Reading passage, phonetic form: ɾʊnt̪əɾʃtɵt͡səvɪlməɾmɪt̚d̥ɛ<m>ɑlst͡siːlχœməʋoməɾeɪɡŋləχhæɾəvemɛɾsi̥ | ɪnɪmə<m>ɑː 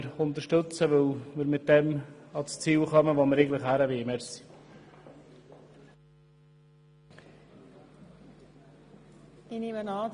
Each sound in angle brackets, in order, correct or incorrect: correct, incorrect: n

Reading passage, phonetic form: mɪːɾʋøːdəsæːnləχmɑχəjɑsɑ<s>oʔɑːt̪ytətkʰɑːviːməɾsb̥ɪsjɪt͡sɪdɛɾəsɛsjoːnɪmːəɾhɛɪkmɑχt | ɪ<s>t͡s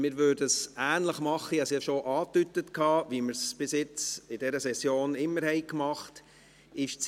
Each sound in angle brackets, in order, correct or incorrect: incorrect: ʃ, incorrect: ʃ

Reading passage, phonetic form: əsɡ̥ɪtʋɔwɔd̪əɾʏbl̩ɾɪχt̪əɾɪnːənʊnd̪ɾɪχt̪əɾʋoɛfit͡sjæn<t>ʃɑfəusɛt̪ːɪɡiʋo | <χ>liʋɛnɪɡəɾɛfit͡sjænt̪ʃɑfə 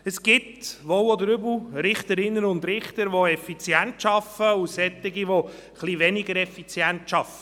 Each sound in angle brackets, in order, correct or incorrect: correct, correct

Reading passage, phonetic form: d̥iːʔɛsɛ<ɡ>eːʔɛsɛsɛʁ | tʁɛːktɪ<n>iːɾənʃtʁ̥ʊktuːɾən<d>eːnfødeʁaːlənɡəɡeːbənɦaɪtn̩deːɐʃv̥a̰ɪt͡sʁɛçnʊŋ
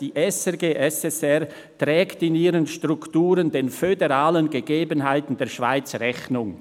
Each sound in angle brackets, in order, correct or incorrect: correct, correct, correct

